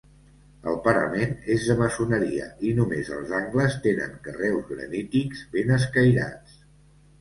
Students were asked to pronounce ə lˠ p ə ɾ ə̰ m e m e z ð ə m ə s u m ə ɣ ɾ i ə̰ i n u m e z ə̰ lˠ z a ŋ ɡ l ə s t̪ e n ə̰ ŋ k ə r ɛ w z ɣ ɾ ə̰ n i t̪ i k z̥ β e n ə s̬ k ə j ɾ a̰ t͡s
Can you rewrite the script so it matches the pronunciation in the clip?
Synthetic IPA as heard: ə lˠ p ə ɾ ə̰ m e n e z ð ə m ə s u n ə ɾ i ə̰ i n u m e z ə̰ lˠ z a ŋ ɡ l ə s t̪ e n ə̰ ŋ k ə r ɛ w z ɣ ɾ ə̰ n i t̪ i k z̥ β e n ə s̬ k ə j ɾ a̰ t͡s